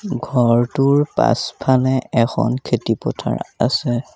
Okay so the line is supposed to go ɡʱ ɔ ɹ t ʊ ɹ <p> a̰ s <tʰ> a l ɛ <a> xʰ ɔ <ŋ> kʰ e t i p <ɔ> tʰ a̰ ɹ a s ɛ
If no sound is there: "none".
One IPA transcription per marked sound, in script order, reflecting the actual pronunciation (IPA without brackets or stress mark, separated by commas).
p, pʰ, ɛ, n, ɔ